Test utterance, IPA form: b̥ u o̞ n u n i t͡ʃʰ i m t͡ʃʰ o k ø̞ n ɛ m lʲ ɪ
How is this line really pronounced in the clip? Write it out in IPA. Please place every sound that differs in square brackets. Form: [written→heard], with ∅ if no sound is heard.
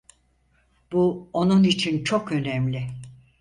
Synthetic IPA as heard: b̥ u o̞ n u n i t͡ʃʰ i [m→n] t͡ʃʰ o k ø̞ n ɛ m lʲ ɪ